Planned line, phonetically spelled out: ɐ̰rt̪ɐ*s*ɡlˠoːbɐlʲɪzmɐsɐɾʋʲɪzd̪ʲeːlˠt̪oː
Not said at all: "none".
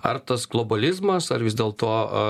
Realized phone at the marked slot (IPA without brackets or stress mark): s